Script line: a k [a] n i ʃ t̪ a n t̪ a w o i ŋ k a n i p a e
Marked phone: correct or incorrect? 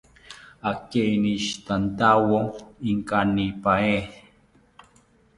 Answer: incorrect